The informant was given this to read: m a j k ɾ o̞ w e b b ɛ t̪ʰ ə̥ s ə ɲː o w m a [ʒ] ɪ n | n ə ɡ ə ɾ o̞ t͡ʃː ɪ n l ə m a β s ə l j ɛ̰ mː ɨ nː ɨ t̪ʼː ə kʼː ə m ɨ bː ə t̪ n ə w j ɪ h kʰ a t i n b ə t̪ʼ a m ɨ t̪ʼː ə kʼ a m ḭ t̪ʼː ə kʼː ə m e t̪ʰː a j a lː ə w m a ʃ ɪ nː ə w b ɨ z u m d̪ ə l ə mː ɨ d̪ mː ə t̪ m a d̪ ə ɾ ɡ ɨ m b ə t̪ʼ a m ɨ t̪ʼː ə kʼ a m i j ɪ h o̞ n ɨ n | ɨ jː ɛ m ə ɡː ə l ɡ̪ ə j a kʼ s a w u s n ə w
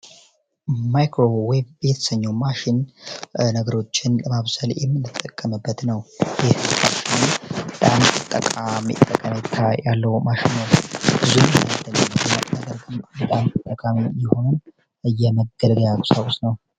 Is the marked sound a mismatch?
yes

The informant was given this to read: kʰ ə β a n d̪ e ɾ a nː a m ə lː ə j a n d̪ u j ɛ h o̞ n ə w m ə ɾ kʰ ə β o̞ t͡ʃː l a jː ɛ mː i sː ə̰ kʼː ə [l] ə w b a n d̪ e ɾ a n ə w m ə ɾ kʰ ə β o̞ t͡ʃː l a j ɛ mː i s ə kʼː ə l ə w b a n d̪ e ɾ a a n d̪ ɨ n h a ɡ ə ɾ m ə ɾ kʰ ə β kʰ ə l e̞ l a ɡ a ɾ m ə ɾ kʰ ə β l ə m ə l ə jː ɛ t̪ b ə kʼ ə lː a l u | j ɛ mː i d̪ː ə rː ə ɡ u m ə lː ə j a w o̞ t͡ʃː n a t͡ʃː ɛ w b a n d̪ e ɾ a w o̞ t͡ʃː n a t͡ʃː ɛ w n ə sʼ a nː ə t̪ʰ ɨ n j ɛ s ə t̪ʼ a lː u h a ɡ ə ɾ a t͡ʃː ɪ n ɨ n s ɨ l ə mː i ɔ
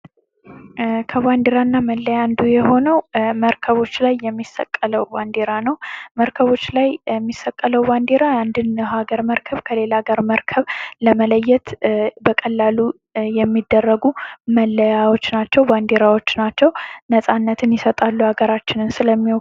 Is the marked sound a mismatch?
no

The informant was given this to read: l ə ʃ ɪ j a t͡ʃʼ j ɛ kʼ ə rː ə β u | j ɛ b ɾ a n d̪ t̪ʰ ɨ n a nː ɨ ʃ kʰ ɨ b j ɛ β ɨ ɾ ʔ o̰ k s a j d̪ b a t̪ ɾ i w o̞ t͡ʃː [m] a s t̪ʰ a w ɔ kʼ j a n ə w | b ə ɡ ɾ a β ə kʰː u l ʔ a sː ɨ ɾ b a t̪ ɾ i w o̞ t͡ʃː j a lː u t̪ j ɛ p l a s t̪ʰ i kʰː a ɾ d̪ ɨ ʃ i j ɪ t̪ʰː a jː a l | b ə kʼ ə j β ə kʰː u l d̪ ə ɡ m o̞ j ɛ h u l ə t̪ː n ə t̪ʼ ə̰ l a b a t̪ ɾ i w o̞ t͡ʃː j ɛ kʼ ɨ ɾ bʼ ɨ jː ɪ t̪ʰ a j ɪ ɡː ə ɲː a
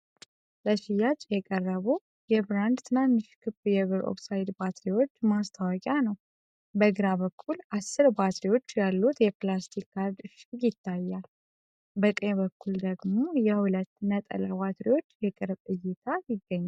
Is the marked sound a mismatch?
no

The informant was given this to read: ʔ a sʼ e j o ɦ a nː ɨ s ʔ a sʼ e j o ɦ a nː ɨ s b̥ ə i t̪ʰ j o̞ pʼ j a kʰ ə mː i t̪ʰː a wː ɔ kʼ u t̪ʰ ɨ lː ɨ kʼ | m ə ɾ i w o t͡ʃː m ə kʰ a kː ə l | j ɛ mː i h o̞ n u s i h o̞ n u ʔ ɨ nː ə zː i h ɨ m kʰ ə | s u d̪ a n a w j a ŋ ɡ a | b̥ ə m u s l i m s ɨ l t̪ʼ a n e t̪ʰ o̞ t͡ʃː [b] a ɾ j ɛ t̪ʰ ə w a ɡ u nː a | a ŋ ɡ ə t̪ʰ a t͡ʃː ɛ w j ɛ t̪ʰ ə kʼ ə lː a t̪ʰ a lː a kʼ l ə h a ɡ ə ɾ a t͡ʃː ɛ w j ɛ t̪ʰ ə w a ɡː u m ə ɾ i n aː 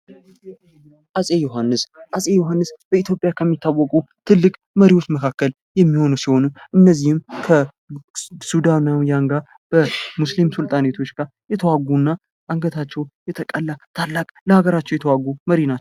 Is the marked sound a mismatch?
yes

